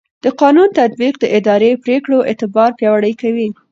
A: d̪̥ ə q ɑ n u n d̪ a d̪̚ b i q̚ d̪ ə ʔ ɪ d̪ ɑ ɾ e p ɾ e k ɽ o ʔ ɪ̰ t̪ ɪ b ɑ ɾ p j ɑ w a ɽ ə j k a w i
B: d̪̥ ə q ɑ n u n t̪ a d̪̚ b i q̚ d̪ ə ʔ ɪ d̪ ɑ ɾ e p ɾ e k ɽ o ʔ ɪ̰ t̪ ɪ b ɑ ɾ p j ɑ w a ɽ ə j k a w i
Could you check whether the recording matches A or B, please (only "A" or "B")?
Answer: B